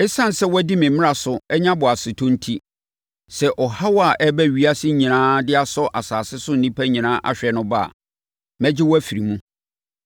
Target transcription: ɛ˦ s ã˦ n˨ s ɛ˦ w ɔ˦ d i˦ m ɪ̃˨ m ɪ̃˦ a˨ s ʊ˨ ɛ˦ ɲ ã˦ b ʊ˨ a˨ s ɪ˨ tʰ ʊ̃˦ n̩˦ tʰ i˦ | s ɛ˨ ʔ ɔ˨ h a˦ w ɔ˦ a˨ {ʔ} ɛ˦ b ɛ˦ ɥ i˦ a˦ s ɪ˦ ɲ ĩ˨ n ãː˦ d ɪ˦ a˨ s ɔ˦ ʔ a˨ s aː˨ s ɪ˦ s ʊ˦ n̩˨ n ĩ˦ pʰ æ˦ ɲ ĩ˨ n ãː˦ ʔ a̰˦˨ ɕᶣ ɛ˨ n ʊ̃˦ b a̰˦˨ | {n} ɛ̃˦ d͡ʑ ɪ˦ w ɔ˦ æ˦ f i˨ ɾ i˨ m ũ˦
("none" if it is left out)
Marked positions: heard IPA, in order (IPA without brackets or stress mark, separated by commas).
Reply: ʔ, m